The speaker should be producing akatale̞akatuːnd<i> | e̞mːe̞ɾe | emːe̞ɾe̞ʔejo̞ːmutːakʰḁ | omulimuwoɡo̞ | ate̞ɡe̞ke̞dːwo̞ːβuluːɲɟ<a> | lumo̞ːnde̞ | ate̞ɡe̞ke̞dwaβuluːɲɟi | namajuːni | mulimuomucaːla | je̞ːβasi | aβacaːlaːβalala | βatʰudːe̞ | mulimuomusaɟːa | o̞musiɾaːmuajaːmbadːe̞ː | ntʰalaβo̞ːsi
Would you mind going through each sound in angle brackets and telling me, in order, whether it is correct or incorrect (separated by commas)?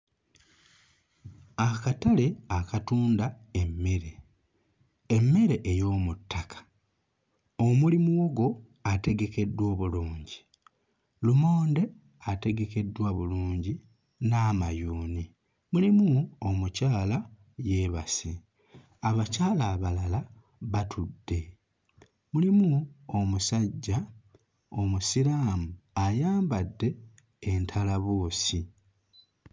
incorrect, incorrect